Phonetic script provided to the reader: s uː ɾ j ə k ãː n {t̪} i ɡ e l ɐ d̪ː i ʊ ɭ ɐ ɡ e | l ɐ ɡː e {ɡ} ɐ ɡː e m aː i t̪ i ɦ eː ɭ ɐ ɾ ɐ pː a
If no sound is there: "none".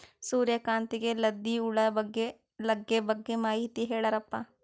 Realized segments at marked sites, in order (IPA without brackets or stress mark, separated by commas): t̪, b